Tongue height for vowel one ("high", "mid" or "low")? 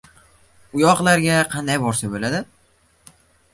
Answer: high